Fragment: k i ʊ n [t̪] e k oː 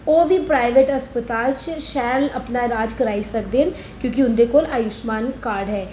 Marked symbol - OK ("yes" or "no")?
no